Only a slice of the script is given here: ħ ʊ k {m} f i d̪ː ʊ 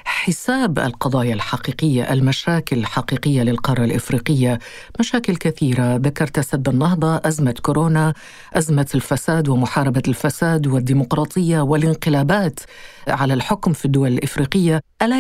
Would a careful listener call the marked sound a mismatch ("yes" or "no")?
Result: no